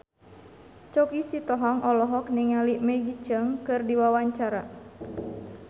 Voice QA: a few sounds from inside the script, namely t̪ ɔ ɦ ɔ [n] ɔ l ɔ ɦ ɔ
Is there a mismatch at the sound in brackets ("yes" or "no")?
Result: yes